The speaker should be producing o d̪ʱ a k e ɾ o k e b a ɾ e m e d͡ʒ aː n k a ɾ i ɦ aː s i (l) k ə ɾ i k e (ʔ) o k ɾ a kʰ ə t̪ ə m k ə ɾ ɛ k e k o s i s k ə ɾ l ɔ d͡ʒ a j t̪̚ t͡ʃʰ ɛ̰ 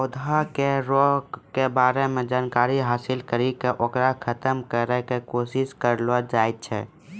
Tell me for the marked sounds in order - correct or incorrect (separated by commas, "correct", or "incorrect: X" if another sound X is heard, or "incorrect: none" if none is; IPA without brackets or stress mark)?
correct, correct